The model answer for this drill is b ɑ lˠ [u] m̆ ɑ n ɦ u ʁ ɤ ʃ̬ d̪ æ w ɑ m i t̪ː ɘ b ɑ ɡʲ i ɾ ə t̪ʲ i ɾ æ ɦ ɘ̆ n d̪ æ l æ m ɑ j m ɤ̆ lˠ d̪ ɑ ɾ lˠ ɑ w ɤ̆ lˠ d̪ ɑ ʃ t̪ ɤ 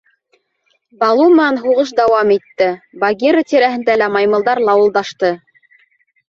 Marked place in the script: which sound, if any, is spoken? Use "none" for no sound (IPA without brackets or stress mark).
u